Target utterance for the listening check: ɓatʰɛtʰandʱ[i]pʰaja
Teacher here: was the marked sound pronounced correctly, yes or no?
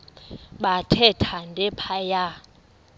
no